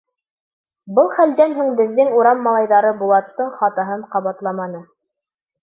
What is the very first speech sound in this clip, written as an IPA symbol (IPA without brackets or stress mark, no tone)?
b